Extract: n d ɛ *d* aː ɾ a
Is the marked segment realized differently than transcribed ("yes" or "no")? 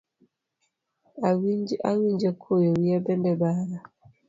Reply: yes